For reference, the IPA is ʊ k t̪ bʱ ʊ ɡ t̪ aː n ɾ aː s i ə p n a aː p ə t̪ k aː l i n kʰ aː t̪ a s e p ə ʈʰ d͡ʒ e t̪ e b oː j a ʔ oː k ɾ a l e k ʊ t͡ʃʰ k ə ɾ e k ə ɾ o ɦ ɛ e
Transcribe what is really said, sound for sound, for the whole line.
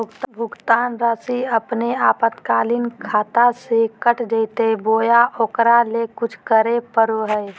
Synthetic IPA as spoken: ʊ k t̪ bʱ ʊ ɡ t̪ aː n ɾ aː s i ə p n e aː p ə t̪ k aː l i n kʰ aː t̪ a s e k ə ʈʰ d͡ʒ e t̪ e b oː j a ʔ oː k ɾ a l e k ʊ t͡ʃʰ k ə ɾ e p ə ɾ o ɦ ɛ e